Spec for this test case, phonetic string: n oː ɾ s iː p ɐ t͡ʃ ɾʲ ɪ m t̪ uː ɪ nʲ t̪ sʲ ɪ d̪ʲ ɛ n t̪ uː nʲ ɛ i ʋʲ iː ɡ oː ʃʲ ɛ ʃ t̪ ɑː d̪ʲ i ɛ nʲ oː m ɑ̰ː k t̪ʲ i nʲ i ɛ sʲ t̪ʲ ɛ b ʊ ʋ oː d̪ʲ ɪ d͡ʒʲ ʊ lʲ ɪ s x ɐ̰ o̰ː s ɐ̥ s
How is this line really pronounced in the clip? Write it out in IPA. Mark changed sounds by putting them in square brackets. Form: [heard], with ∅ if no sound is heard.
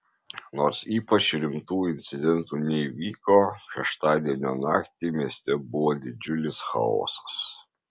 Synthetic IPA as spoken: n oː ɾ s iː p ɐ t͡ʃ ɾʲ ɪ m t̪ uː ɪ nʲ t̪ sʲ ɪ d̪ʲ ɛ n t̪ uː nʲ ɛ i ʋʲ iː [k] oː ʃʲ ɛ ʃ t̪ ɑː d̪ʲ i ɛ nʲ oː [n] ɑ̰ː k t̪ʲ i [mʲ] i ɛ sʲ t̪ʲ ɛ b ʊ ʋ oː d̪ʲ ɪ d͡ʒʲ ʊ lʲ ɪ s x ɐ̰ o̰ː s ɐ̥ s